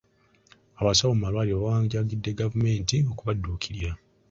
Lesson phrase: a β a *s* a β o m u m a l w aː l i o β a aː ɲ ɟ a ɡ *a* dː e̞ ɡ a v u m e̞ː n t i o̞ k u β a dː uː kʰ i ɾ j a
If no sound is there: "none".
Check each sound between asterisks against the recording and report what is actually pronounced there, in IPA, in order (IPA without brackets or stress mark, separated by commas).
s, i